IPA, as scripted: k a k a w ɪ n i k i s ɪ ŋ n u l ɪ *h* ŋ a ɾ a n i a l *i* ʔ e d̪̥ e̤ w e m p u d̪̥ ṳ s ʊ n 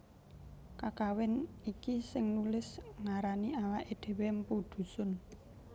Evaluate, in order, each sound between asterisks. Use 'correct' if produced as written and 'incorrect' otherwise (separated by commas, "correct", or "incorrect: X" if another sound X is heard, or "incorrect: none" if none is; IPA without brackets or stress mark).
incorrect: s, incorrect: a